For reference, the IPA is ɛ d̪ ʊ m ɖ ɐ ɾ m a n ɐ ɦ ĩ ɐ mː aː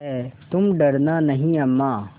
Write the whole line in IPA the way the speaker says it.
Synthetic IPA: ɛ t̪ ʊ m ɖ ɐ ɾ n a n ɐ ɦ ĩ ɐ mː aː